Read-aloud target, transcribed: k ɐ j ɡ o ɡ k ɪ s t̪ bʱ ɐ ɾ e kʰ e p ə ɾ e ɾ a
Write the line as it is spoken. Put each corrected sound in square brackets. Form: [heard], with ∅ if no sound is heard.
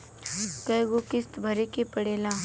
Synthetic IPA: k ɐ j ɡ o [∅] k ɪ s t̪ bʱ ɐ ɾ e [k] e p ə [ɽ] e [l] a